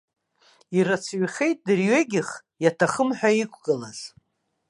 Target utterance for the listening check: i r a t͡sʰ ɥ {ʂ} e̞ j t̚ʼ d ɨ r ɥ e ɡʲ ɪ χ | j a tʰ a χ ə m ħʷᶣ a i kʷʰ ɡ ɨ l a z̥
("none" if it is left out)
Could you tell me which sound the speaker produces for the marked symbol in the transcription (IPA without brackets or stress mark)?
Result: χ